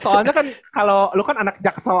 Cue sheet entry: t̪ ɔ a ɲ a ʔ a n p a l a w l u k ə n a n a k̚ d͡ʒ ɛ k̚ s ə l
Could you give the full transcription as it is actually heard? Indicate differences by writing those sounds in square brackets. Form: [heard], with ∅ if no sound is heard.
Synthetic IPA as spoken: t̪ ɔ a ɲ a [k] a n [k] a l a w l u k [a] n a n a k̚ d͡ʒ [a] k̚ s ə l